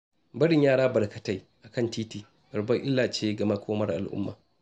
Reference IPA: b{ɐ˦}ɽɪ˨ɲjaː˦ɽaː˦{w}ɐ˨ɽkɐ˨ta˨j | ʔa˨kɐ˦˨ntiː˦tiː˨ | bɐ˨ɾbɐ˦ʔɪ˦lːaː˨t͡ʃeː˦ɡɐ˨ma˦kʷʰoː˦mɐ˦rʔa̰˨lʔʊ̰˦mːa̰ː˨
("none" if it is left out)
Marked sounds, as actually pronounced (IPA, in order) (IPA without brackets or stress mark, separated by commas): ɐ˦, b